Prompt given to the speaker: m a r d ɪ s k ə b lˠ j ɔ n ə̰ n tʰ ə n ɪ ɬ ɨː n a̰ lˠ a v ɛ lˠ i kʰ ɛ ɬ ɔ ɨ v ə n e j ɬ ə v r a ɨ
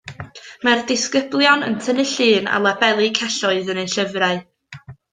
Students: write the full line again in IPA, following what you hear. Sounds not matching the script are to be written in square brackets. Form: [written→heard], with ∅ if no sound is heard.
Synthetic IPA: m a r d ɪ s k ə b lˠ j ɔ n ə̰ n tʰ ə n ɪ ɬ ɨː n a̰ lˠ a [v→b] ɛ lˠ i kʰ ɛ ɬ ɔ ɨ [v→ð] ə n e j ɬ ə v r a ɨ